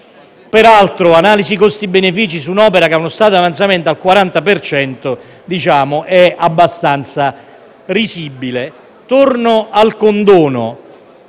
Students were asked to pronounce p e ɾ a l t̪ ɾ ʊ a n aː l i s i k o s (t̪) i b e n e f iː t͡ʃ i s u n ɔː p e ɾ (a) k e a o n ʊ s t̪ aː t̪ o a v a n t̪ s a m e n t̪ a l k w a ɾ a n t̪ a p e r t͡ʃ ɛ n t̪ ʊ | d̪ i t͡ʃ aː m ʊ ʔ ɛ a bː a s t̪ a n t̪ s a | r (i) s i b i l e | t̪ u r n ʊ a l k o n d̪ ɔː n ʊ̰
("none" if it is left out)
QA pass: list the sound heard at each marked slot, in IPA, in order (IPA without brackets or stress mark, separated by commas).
t̪, a, i